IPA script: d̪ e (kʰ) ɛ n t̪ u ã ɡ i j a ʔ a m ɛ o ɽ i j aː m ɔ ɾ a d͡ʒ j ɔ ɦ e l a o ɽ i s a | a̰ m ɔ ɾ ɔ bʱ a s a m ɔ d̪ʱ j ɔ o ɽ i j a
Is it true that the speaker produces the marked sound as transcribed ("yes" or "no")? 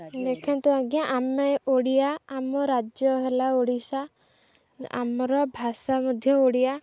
yes